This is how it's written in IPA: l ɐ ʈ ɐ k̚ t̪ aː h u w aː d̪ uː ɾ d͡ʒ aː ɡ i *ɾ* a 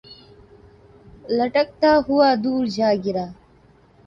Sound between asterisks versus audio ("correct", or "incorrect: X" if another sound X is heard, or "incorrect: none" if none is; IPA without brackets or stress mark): correct